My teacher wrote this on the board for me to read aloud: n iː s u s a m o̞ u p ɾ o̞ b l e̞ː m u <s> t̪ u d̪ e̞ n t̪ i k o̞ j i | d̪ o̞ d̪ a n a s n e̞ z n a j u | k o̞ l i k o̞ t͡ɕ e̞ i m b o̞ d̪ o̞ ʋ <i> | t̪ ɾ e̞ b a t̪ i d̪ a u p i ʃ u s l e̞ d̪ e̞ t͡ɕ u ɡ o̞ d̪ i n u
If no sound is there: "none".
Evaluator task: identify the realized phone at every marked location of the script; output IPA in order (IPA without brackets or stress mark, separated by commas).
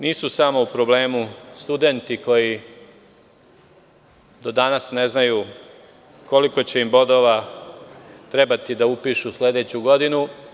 s, a